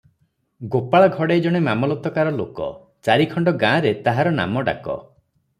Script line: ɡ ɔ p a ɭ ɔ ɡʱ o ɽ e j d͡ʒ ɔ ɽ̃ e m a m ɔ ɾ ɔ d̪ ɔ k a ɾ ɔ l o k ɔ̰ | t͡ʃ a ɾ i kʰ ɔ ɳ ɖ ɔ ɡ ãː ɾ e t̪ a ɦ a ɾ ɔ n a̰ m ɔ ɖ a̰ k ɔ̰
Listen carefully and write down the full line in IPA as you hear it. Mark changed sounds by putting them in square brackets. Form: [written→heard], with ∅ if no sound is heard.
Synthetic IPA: ɡ [ɔ→o] p a ɭ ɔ ɡʱ [o→ɔ] ɽ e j d͡ʒ ɔ ɽ̃ e m a m ɔ [ɾ→l] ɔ [d̪→t̪] ɔ k a ɾ ɔ l o k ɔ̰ | t͡ʃ a ɾ i kʰ ɔ ɳ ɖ ɔ ɡ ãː ɾ e t̪ a ɦ a ɾ ɔ n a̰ m ɔ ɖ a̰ k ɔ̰